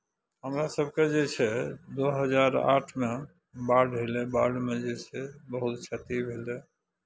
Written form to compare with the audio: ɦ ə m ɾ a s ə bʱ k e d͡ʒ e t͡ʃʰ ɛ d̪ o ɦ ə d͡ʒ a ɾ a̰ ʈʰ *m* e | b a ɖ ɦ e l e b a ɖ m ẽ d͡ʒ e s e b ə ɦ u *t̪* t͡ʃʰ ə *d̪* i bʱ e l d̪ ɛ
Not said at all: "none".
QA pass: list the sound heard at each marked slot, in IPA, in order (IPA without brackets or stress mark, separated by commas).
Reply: m, t̪, t̪